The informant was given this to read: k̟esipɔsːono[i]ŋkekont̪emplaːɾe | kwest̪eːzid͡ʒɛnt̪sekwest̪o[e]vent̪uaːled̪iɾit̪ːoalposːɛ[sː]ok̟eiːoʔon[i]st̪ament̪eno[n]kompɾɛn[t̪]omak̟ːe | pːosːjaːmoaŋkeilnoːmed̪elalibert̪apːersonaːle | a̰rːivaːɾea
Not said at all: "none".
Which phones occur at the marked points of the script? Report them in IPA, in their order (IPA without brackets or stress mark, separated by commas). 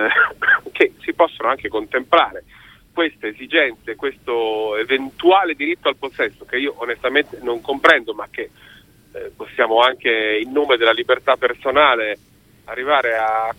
a, e, sː, e, ŋ, d̪